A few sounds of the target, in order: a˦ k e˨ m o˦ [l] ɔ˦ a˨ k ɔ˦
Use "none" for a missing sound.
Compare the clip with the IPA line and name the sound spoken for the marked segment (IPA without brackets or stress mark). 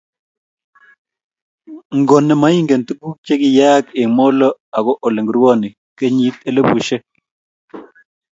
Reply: l